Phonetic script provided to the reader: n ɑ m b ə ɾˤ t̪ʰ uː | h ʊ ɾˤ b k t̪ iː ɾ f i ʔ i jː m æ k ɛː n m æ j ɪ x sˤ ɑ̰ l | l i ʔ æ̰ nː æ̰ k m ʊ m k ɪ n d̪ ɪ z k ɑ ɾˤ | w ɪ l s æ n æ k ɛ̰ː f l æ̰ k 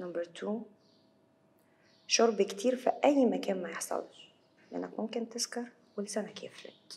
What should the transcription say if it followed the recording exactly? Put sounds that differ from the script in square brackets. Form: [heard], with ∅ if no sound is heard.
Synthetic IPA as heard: n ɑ m b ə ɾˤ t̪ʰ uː | [ʃ] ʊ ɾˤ b k t̪ iː ɾ f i ʔ [æ] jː m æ k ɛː n m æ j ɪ [ħ] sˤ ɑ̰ l | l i ʔ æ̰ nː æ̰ k m ʊ m k ɪ n [t̪] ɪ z k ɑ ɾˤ | w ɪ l s æ n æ k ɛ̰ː f l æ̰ k